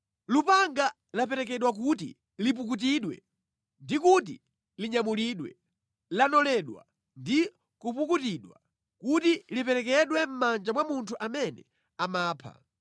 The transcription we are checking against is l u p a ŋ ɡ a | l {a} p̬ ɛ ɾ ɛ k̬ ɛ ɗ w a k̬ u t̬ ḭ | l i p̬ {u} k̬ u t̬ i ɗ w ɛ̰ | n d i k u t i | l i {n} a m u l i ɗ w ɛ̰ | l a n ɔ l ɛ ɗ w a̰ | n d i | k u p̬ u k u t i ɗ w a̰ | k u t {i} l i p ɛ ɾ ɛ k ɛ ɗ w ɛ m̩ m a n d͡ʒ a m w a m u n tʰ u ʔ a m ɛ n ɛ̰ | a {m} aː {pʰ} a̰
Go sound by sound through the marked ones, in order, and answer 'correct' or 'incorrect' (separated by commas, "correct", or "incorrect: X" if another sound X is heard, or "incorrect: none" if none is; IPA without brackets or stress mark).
correct, correct, incorrect: ɲ, correct, correct, correct